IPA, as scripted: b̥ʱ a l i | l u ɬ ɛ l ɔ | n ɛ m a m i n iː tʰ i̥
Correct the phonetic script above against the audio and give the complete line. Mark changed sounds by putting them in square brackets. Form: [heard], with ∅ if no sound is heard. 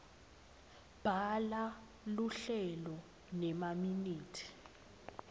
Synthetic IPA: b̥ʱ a l [a] | l u ɬ ɛ l ɔ | n ɛ m a m i n iː tʰ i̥